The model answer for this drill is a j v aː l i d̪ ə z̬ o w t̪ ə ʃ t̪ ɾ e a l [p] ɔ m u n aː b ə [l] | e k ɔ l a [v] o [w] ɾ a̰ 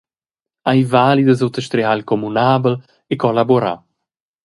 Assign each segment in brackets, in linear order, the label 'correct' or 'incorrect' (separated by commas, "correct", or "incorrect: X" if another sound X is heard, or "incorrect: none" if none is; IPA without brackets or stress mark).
incorrect: k, correct, incorrect: b, incorrect: none